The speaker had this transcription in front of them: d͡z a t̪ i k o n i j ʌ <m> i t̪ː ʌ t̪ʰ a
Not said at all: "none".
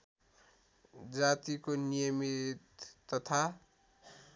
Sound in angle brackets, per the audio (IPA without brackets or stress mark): m